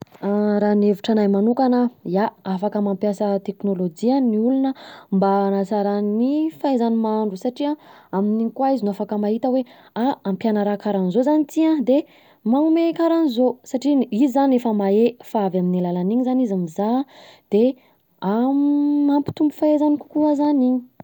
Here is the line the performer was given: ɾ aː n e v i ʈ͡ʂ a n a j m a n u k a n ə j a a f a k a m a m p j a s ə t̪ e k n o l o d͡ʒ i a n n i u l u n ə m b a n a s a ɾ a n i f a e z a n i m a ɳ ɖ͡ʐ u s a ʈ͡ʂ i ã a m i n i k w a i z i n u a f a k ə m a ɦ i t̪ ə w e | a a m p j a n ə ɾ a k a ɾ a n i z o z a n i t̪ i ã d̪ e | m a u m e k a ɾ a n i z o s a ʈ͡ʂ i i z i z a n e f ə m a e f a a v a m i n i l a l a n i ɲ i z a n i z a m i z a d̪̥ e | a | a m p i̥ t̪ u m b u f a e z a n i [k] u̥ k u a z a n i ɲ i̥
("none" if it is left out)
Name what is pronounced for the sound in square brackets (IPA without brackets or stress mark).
k